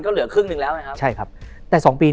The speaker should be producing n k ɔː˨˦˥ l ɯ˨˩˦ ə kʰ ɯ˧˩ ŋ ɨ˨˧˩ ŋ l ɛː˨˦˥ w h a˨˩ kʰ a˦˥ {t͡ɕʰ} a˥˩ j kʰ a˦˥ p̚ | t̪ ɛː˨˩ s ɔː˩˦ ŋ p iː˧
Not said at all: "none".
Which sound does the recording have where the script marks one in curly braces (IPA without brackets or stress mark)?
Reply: t͡ɕʰ